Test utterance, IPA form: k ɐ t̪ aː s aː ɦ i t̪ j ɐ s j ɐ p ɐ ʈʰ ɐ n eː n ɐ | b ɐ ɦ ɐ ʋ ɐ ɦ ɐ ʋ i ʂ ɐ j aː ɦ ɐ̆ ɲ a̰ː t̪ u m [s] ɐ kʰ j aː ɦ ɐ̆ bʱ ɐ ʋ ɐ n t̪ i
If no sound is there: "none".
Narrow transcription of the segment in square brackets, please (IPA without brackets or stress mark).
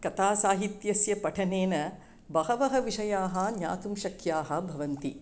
ʃ